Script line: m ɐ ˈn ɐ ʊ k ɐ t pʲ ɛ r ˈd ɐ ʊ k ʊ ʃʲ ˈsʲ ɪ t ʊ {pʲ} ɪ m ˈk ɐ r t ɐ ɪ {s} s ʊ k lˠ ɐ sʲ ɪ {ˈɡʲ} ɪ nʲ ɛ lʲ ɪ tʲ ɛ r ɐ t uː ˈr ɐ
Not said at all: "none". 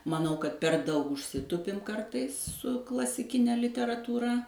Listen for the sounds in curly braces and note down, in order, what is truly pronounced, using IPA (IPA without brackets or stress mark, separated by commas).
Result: pʲ, s, kʲ